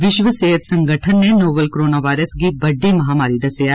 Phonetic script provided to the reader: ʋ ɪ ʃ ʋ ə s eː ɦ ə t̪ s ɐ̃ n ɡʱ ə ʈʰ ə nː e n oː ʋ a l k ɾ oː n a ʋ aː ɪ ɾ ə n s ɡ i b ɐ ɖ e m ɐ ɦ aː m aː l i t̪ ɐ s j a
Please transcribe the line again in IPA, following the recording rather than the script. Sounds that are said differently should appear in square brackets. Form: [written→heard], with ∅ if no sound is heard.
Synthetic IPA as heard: ʋ ɪ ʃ ʋ ə s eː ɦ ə t̪ s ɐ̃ [n→ŋ] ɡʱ ə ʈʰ ə nː e n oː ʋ [a→ə] l k ɾ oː n a ʋ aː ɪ ɾ ə [n→∅] s ɡ i b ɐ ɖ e m ɐ ɦ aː m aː [l→ɾ] i [t̪→d̪] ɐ s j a